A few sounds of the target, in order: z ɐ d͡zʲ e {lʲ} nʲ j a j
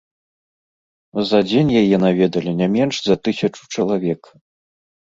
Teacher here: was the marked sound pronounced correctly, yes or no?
no